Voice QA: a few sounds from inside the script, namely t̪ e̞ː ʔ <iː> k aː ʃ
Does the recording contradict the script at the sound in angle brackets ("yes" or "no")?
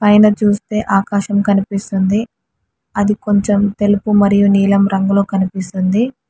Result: yes